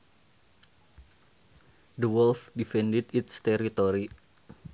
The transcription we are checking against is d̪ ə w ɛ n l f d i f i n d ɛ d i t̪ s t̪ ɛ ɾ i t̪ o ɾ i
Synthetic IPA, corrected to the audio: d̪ ə w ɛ l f d i f ɛ n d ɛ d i t̪ s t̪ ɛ ɾ i t̪ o ɾ i